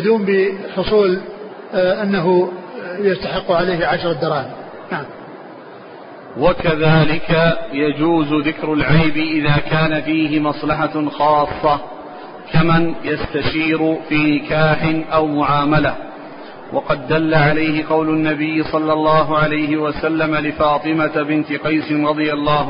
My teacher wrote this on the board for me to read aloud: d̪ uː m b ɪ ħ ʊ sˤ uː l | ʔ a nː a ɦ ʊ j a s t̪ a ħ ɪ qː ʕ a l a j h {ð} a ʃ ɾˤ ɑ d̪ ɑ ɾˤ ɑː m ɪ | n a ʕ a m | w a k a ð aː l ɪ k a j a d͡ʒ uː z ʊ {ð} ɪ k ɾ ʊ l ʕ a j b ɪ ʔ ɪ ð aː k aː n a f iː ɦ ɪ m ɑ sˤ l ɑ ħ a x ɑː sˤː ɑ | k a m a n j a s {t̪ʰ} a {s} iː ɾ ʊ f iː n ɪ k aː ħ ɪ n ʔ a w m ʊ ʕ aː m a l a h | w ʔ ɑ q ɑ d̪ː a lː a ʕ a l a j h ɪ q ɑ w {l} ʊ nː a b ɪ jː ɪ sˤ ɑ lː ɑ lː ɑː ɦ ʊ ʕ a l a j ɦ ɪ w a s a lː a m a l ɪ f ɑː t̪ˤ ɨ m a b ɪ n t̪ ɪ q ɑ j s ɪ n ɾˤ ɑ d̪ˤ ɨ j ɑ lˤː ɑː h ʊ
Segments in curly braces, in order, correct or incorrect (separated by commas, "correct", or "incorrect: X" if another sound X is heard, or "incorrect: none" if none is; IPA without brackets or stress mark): incorrect: ʕ, correct, incorrect: t̪, incorrect: ʃ, correct